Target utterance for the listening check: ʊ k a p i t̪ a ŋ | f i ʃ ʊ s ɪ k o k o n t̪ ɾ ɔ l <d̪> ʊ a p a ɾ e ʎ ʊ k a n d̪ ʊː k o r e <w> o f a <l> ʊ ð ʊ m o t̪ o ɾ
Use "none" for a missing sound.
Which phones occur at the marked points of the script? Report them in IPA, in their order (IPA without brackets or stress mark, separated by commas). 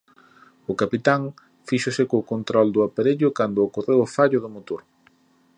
d̪, w, ʎ